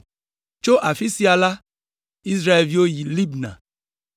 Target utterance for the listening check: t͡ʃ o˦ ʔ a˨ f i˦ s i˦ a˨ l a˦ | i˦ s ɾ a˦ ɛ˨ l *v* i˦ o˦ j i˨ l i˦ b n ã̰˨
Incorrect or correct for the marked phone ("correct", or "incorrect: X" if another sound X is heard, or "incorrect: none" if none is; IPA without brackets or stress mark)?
correct